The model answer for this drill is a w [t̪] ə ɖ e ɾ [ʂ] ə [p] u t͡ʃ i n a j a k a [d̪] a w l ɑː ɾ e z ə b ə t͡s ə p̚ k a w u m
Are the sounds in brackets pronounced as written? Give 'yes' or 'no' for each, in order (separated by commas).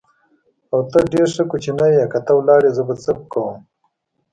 yes, yes, no, no